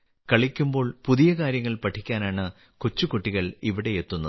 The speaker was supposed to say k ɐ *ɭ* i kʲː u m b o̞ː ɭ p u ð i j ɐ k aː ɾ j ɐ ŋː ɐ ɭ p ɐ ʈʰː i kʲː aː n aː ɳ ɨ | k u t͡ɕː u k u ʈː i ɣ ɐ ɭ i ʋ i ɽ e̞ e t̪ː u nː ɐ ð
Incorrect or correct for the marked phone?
correct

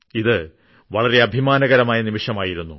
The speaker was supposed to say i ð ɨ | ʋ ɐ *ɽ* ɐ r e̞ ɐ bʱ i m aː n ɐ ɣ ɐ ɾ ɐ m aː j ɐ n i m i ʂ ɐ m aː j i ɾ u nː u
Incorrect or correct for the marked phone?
incorrect: ɭ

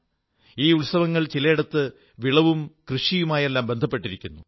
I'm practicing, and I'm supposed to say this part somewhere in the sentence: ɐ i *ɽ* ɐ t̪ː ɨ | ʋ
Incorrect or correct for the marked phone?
correct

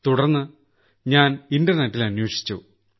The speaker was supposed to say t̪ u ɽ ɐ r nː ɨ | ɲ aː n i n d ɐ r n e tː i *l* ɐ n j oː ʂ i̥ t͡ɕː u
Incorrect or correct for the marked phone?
correct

